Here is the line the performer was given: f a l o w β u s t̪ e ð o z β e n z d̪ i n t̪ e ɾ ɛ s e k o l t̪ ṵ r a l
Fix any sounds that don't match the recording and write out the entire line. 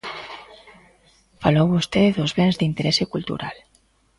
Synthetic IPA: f a l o w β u s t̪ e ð o z β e n z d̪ i n t̪ e ɾ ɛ s e k u l t̪ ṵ ɾ a l